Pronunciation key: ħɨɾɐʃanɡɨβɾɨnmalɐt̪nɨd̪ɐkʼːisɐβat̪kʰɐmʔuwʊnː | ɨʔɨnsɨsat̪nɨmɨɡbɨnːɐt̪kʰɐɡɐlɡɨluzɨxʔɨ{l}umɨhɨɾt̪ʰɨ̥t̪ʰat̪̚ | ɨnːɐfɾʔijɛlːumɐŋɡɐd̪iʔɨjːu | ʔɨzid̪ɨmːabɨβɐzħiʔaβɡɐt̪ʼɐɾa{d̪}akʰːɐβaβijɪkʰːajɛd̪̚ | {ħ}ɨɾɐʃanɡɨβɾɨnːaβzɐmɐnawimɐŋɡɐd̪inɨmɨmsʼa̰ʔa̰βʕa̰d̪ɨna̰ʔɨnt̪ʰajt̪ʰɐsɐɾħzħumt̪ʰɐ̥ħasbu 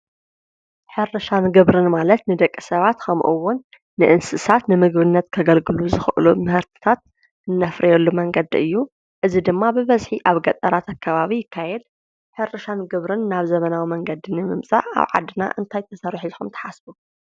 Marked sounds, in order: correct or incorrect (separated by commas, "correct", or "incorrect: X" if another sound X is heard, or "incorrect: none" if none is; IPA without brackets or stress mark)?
correct, incorrect: t̪, correct